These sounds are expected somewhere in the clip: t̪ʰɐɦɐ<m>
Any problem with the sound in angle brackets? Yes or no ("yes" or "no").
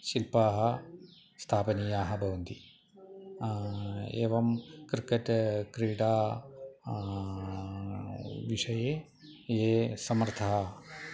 yes